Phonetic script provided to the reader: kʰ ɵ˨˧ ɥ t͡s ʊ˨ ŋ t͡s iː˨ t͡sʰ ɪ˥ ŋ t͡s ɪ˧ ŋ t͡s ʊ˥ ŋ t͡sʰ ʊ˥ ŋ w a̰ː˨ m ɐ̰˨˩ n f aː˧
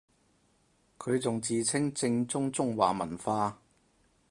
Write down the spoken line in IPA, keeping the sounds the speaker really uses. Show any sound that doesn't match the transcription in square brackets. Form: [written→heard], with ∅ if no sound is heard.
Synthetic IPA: kʰ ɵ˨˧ ɥ t͡s ʊ˨ ŋ t͡s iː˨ t͡sʰ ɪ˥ ŋ t͡s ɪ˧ ŋ t͡s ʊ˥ ŋ [t͡sʰ→t͡s] ʊ˥ ŋ w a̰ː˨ m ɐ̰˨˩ n f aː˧